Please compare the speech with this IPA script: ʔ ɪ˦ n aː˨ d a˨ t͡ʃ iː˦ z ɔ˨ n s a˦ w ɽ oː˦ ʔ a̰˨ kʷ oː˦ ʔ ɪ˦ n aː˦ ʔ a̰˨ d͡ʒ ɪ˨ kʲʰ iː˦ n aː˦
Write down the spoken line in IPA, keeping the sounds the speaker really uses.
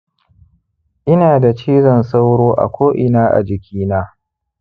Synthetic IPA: ʔ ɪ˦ n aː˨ d a˨ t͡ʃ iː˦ z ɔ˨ n s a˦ w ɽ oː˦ ʔ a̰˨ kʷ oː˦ ʔ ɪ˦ n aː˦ ʔ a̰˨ d͡ʒ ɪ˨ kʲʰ iː˦ n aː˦